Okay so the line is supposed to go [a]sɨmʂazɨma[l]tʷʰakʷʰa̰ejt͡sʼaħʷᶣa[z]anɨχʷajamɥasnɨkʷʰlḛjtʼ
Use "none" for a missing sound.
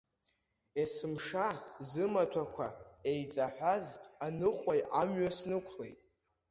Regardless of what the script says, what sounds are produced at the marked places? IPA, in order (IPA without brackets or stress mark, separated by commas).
e, none, z